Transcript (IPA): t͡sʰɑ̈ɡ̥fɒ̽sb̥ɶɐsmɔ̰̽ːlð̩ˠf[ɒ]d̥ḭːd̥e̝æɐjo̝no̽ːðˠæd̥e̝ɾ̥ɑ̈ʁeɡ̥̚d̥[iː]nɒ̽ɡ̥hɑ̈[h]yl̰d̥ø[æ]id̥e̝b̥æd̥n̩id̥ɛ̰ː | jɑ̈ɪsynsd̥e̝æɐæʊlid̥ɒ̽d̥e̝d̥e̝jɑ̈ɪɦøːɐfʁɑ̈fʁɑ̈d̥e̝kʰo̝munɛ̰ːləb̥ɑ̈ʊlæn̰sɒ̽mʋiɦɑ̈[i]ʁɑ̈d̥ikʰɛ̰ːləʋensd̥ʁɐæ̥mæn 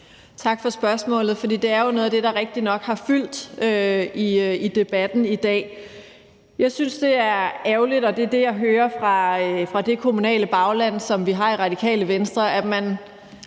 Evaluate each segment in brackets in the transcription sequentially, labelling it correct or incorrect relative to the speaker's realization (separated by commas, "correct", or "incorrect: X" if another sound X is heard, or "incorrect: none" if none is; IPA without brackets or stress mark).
correct, incorrect: i, incorrect: f, incorrect: i, correct